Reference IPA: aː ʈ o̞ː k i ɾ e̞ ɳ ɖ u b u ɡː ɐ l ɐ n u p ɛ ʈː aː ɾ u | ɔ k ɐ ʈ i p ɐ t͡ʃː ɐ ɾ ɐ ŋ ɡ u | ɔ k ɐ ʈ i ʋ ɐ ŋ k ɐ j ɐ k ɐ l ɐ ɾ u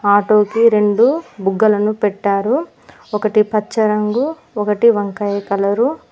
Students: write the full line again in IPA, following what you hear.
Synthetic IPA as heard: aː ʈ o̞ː k i ɾ e̞ ɳ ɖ u b u ɡː ɐ l ɐ n u p ɛ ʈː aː ɾ u | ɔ k ɐ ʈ i p ɐ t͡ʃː ɐ ɾ ɐ ŋ ɡ u | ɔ k ɐ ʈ i ʋ ɐ ŋ k ɐ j ɐ k ɐ l ɐ ɾ u